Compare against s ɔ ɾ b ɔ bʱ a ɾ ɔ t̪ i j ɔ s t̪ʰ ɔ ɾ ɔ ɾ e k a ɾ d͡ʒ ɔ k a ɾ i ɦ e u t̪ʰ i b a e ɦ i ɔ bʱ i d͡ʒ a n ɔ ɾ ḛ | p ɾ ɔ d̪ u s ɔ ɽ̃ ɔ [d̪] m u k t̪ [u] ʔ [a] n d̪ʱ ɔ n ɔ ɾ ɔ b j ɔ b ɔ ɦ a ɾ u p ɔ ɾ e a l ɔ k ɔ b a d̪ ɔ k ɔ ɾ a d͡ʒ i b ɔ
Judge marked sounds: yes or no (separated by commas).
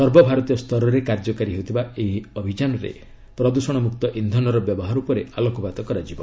no, no, no